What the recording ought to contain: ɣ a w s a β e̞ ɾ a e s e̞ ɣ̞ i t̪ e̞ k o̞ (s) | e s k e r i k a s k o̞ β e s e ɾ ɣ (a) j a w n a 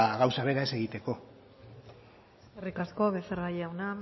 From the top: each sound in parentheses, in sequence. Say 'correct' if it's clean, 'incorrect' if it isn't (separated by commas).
incorrect, correct